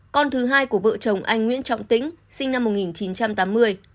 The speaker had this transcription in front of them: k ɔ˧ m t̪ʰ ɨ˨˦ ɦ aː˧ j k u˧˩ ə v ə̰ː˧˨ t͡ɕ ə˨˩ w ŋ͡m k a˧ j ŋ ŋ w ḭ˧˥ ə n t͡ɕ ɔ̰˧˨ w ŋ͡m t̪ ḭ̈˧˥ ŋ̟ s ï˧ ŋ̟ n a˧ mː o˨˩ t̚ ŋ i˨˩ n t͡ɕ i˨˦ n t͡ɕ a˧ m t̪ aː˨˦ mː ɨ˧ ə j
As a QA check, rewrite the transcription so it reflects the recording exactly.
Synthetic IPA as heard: k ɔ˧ n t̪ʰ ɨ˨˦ ɦ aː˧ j k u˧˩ ə v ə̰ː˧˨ t͡ɕ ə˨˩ w ŋ͡m ʔ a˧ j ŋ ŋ w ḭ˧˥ ə n t͡ɕ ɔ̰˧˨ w ŋ͡m t̪ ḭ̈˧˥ ŋ̟ s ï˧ ŋ̟ n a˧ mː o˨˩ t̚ ŋ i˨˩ n t͡ɕ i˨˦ n t͡ɕ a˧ m t̪ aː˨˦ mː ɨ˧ ə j